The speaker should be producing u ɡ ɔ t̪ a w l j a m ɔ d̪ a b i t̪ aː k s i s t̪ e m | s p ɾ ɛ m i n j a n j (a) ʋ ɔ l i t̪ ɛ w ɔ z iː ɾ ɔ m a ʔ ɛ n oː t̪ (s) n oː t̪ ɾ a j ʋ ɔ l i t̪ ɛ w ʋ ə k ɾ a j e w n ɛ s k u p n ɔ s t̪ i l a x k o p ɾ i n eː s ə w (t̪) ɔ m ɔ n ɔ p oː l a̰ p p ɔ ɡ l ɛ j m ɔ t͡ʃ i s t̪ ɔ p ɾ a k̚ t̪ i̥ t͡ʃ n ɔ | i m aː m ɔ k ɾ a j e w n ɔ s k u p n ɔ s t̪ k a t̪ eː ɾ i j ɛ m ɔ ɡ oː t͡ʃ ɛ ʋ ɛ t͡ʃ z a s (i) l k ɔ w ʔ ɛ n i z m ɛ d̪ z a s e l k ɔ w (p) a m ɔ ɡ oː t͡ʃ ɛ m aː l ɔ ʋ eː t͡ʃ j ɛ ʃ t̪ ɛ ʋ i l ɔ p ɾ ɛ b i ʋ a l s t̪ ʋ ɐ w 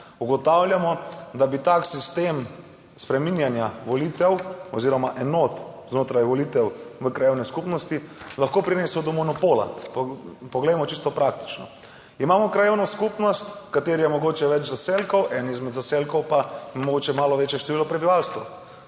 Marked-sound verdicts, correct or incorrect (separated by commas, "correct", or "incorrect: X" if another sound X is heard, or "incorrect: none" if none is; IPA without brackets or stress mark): correct, incorrect: z, incorrect: d̪, incorrect: e, correct